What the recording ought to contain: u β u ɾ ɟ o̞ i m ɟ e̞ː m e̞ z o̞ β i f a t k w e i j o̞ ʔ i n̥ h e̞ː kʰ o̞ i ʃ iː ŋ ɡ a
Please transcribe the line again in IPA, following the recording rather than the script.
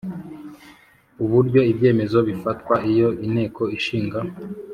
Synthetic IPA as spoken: u β u ɾ ɟ o̞ i b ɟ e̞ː m e̞ z o̞ β i f a t k w a i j o̞ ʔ i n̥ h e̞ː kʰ o̞ i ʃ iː ŋ ɡ a